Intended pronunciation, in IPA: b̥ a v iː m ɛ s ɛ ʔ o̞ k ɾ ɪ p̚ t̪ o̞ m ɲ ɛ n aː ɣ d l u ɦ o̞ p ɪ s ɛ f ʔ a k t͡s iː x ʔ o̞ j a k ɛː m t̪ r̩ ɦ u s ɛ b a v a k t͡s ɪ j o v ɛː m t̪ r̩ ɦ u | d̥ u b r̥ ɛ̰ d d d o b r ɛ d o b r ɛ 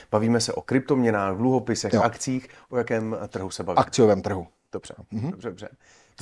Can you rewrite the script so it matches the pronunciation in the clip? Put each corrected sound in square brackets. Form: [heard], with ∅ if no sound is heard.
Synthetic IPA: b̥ a v iː m ɛ s ɛ ʔ o̞ k ɾ ɪ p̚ t̪ o̞ m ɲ ɛ n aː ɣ d l u ɦ o̞ p ɪ s ɛ [x] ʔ a k t͡s iː x ʔ o̞ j a k ɛː m t̪ r̩ ɦ u s ɛ b a v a k t͡s ɪ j o v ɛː m t̪ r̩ ɦ u | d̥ [o] b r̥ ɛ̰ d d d o b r ɛ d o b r ɛ